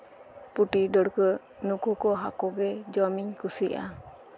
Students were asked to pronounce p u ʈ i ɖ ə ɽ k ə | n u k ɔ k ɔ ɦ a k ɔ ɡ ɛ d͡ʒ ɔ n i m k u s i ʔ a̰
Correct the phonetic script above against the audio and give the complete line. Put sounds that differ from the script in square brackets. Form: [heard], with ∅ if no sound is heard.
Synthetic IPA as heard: p u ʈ i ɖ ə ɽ k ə | n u k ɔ k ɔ ɦ a k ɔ ɡ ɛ d͡ʒ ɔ [m] i [ɲ] k u s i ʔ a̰